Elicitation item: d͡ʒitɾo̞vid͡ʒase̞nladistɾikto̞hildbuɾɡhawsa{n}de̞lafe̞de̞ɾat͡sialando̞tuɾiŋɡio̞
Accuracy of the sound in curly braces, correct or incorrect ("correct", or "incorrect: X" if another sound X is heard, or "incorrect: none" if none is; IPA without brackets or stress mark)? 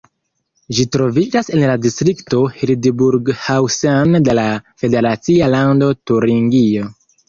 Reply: correct